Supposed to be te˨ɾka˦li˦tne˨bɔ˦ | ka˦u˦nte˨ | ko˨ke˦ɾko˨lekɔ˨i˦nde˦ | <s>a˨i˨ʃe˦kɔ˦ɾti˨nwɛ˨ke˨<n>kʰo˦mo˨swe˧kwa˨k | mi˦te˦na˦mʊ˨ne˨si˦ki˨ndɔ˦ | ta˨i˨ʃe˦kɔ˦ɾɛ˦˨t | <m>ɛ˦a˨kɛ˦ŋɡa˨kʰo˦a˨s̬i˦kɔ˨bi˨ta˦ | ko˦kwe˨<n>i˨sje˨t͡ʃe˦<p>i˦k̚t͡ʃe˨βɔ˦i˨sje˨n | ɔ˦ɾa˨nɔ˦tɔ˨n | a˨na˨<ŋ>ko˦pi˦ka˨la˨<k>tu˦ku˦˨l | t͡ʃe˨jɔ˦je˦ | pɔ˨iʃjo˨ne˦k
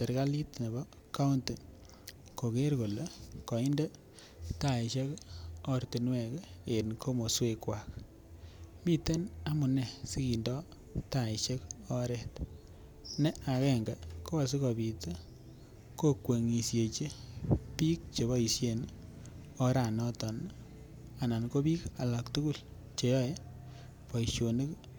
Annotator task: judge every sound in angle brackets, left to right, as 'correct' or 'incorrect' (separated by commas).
incorrect, correct, incorrect, incorrect, correct, incorrect, correct